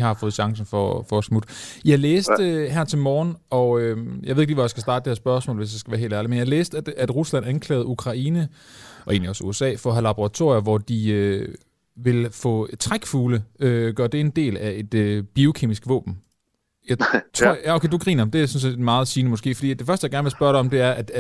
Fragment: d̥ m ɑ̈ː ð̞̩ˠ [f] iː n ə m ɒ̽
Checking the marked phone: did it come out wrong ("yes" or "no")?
yes